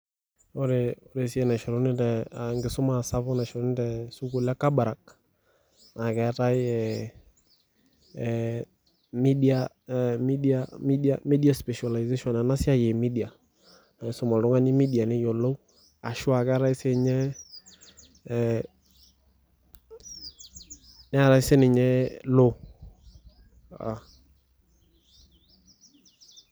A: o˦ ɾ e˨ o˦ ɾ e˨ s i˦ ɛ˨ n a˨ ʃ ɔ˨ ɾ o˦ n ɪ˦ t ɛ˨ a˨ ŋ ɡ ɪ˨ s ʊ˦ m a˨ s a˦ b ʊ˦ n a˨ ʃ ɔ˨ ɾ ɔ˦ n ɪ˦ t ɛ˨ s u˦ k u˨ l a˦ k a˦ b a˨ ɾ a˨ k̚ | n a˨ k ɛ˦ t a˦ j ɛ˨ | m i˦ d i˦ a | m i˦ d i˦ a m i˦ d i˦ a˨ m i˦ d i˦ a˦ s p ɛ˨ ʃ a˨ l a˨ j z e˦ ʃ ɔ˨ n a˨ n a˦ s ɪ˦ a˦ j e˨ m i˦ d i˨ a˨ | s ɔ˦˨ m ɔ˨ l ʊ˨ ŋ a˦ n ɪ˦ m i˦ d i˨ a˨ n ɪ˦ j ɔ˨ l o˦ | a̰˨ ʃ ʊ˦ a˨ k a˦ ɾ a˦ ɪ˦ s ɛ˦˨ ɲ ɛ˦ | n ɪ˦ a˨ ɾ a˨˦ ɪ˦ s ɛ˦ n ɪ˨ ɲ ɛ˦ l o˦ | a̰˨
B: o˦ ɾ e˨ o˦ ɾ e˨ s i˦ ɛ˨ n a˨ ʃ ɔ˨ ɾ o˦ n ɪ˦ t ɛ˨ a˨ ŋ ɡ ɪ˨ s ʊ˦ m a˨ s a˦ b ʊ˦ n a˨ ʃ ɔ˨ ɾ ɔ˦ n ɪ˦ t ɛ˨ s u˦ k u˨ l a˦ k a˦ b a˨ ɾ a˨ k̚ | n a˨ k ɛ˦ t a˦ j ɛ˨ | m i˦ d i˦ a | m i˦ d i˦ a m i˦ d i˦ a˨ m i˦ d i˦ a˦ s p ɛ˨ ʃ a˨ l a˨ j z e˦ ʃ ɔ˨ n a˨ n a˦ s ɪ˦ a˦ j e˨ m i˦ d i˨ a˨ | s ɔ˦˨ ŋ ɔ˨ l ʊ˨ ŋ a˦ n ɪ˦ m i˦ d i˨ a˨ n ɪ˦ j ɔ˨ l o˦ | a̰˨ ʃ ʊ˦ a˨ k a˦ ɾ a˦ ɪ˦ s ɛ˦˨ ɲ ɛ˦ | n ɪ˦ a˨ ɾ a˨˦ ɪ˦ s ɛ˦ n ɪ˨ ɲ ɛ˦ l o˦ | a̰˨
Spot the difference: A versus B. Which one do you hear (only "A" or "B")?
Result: A